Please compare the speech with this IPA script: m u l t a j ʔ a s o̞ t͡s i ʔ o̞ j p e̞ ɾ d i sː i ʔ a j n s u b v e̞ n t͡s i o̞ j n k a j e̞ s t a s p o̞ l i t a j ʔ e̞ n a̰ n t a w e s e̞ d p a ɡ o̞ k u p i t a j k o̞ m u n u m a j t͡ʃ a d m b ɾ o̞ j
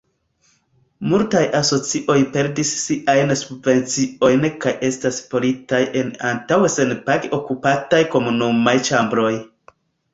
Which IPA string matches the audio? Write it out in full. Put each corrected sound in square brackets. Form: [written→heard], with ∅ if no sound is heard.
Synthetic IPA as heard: m u l t a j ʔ a s o̞ t͡s i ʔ o̞ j p e̞ ɾ d i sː i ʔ a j n s u b v e̞ n t͡s i o̞ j n k a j e̞ s t a s p o̞ l i t a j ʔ e̞ n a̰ n t a w e s e̞ [d→n] p a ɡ o̞ k u p [i→a] t a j k o̞ m u n u m a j t͡ʃ a [d→∅] m b ɾ o̞ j